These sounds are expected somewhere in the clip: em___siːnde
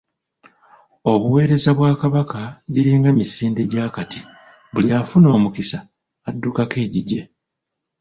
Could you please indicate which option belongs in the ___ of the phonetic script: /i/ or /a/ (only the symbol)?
i